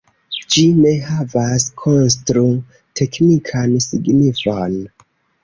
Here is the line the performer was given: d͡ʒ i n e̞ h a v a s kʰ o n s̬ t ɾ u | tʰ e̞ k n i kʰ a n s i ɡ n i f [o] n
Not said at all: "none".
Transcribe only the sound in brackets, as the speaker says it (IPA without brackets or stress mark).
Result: o